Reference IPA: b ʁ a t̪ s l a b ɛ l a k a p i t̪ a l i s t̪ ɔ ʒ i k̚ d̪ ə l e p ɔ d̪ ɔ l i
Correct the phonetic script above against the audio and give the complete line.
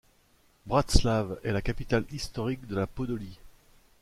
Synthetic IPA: b ʁ a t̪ s l a v ɛ l a k a p i t̪ a l i s t̪ ɔ ʁ i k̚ d̪ ə l a p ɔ d̪ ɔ l i